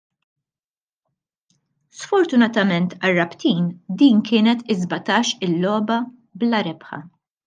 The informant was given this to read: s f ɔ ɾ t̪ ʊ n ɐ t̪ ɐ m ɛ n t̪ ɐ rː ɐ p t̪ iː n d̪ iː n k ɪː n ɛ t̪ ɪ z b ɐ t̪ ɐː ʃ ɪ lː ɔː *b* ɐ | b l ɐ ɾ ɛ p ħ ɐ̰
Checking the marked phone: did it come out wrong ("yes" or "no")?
no